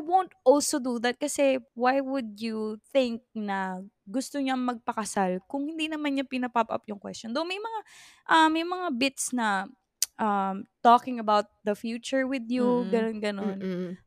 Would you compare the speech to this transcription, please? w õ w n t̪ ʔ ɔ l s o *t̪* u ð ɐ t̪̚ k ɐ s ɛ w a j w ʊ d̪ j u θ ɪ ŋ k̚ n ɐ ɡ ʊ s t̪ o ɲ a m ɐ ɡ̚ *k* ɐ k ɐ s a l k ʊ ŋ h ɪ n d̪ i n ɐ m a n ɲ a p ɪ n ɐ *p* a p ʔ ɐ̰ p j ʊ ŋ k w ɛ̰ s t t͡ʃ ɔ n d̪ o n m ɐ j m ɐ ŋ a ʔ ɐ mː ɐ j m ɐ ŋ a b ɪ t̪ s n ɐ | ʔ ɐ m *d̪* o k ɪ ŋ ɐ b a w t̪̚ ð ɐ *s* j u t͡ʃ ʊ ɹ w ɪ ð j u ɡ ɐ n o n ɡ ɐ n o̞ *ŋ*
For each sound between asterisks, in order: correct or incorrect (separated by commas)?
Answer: incorrect, incorrect, correct, incorrect, incorrect, incorrect